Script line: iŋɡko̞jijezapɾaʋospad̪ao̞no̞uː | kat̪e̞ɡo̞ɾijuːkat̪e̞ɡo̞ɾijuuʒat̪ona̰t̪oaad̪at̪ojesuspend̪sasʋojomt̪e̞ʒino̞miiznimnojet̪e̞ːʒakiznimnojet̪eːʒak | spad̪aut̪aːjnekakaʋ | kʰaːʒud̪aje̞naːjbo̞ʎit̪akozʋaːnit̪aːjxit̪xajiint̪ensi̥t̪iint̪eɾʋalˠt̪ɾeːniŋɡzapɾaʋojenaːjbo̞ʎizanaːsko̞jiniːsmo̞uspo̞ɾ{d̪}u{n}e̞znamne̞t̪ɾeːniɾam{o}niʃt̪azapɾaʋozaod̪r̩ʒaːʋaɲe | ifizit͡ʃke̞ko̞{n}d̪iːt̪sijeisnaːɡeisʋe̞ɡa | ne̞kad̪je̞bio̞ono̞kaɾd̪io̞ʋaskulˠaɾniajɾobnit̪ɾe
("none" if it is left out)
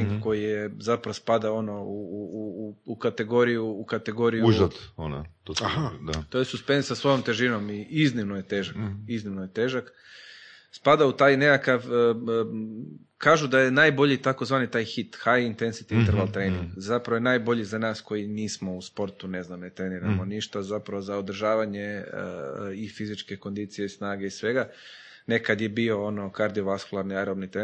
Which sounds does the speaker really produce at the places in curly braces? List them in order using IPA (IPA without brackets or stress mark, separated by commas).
t̪, n, o, n